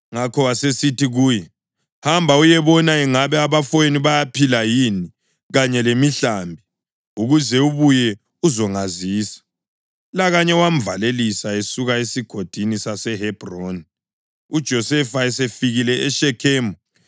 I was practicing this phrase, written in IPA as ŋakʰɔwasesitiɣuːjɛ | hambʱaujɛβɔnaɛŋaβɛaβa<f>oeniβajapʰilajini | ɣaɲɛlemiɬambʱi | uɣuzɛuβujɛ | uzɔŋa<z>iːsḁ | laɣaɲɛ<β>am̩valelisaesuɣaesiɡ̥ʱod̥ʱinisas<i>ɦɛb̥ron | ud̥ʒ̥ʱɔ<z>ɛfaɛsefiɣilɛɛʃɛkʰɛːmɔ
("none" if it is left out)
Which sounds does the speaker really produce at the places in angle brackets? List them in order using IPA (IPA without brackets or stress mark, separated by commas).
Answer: f, z, w, ɛ, s